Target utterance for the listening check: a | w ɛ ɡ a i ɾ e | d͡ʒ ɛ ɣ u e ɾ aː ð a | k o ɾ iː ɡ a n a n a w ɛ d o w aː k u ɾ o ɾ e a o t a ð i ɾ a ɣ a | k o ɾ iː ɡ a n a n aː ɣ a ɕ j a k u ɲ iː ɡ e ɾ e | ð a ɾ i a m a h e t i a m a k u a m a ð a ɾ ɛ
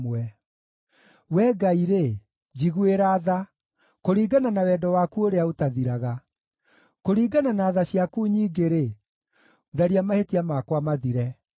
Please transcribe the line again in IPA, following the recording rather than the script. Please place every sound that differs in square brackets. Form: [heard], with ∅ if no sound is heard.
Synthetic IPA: [ɛ] | w ɛ ɡ a i ɾ e | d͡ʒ [i] ɣ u e ɾ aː ð a | k o ɾ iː ɡ a n a n a w ɛ d [ɔ] w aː k u [∅] o ɾ e a o t a ð i ɾ a ɣ a | k o ɾ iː ɡ a n a n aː [ð] a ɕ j a k u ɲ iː ɡ e ɾ e | ð a ɾ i a m a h e t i a m a k [w] a m a ð [i] ɾ ɛ

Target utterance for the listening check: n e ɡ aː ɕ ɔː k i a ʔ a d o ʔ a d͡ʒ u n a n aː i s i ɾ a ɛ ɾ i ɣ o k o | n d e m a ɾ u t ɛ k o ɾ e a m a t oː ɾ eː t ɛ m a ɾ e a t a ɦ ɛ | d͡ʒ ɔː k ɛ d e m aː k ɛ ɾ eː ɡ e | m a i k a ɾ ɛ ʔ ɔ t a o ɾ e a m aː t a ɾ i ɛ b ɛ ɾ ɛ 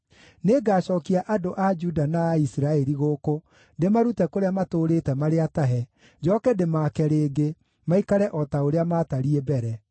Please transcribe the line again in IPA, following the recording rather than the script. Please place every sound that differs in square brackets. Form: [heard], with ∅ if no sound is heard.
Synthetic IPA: n e ɡ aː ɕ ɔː k i a ʔ a d o ʔ a d͡ʒ u [d] a n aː i s i ɾ a ɛ ɾ i ɣ o k o | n d e m a ɾ u t ɛ k o ɾ e a m a t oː ɾ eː t ɛ m a ɾ e a t a ɦ ɛ | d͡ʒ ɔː k ɛ d e m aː k ɛ ɾ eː ɡ e | m a i k a ɾ ɛ ʔ ɔ t a o ɾ e a m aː t a ɾ i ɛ b ɛ ɾ ɛ

